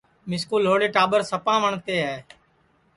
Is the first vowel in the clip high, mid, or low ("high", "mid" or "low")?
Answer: high